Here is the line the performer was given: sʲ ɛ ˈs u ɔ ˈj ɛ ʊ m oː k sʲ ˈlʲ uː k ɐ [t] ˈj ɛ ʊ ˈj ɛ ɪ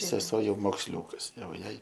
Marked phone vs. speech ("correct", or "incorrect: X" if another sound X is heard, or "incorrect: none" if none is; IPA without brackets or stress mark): incorrect: s